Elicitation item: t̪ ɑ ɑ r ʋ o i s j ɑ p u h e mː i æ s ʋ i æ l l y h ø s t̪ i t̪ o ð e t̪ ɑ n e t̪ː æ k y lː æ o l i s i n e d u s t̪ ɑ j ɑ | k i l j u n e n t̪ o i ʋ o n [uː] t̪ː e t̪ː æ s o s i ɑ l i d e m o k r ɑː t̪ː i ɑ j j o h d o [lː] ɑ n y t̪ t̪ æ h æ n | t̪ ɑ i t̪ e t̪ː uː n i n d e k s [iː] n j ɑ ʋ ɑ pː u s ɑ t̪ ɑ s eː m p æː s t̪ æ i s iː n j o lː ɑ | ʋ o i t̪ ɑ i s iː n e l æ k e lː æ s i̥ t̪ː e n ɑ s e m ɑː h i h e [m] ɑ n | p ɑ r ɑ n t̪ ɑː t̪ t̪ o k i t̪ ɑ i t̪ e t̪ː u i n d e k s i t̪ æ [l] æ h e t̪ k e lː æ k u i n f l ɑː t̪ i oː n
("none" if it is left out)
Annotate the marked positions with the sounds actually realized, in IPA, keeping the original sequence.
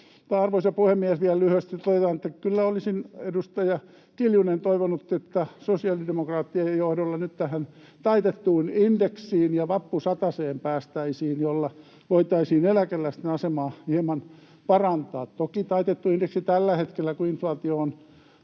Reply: u, lː, iː, m, lː

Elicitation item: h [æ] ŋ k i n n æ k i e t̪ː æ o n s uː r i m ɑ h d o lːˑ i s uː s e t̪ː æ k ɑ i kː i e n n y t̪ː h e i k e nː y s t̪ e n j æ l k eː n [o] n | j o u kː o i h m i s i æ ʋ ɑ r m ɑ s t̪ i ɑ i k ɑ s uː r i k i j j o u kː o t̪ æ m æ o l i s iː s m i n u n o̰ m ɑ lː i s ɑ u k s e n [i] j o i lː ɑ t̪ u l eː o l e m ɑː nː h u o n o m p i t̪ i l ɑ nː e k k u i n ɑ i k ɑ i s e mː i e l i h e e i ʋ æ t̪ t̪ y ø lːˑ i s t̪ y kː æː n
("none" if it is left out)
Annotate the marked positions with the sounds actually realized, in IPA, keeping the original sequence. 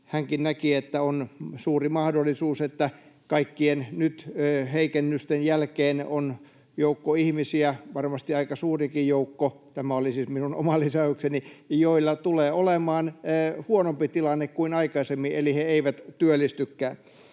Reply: æ, o, i

